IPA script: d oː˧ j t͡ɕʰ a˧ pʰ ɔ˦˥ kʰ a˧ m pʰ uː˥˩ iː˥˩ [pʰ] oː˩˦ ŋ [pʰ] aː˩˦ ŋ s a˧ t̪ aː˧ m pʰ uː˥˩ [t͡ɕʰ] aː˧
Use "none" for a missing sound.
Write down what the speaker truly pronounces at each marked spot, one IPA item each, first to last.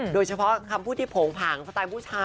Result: pʰ, pʰ, t͡ɕʰ

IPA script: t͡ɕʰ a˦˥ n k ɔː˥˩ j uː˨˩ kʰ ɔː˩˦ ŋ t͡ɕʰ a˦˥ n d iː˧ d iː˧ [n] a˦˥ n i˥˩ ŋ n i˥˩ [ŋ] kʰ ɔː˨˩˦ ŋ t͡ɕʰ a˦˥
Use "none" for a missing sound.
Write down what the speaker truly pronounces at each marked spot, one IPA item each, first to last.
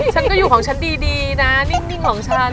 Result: n, ŋ

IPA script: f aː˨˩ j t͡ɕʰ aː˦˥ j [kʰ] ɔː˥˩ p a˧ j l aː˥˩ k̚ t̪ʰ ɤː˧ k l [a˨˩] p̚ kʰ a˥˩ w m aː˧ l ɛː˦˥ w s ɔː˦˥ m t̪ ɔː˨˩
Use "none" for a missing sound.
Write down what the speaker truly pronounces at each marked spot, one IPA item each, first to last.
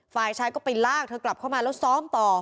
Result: k, a˨˩

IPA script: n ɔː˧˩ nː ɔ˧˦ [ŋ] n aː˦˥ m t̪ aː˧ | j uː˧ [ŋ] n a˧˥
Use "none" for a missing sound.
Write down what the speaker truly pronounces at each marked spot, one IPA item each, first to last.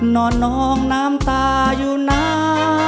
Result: ŋ, none

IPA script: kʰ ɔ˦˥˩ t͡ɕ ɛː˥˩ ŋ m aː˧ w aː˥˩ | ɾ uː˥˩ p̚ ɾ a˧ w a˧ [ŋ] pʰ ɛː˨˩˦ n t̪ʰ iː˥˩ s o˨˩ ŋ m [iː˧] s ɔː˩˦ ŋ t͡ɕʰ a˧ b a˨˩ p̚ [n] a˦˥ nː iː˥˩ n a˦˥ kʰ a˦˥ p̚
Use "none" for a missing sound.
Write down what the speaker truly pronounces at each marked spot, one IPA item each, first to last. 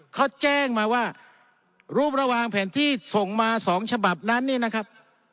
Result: ŋ, aː˧, n

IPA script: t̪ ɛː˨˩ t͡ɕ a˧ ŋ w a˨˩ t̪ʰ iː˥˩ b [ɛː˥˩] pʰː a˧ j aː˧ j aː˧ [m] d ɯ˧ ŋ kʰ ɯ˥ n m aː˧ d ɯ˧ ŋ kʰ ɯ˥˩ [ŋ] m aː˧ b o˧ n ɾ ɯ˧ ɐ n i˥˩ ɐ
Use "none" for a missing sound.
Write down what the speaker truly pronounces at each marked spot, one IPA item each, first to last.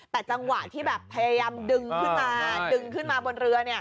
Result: ɛː˨˩, m, n

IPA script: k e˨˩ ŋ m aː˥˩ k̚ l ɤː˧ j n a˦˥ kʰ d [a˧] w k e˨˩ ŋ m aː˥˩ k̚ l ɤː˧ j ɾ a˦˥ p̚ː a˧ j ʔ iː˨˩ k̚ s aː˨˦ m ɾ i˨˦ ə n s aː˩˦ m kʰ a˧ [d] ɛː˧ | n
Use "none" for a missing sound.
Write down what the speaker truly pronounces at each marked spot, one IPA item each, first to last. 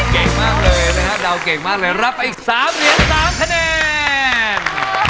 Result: a˧, n

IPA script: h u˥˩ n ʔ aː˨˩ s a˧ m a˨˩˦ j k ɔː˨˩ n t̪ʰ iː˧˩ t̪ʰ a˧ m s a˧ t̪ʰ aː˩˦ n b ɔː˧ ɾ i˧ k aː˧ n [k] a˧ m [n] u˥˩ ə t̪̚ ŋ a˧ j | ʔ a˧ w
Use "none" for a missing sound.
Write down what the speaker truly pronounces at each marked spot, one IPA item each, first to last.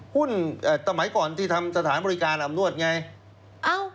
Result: ʔ, n

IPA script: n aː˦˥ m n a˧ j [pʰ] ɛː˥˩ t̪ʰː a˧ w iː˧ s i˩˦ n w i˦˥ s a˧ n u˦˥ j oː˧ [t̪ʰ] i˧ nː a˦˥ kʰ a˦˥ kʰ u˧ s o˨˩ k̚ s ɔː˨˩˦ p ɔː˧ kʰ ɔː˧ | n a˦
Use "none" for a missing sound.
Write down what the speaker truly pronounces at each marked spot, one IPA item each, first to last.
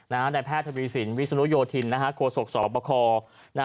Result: pʰ, t̪ʰ

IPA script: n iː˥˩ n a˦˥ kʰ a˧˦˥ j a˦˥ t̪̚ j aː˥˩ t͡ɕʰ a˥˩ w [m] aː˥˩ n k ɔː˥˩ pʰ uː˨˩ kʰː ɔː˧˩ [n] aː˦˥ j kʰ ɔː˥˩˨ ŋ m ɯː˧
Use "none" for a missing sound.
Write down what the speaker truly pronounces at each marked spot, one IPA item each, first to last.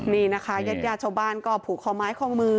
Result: b, m

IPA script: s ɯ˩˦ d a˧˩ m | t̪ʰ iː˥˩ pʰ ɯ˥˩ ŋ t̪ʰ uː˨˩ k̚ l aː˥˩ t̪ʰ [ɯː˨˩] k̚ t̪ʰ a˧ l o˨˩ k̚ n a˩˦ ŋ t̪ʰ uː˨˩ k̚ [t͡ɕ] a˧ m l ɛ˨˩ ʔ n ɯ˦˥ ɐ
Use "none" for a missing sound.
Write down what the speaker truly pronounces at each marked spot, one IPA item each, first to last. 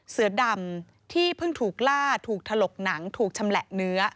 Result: uː˨˩, t͡ɕʰ

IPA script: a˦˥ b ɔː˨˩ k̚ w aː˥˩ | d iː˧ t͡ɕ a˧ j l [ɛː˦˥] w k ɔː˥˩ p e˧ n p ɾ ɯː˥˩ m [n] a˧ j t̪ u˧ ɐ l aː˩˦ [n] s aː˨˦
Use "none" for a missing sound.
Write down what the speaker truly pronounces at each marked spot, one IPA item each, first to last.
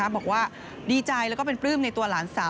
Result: ɛ˦˥, n, n

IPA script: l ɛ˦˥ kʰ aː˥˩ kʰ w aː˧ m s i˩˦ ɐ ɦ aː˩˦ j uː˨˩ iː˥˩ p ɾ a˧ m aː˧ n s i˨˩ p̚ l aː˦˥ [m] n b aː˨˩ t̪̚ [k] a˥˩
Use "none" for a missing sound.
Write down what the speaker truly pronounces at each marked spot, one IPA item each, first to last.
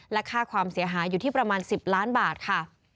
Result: none, kʰ

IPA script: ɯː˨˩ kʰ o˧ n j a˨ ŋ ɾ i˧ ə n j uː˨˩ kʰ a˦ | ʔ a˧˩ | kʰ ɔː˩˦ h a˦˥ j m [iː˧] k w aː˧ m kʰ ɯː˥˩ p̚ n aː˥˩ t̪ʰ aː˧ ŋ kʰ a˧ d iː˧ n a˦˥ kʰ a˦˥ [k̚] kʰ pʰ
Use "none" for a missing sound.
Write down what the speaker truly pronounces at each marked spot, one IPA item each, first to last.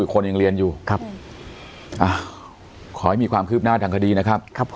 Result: iː˧, p̚

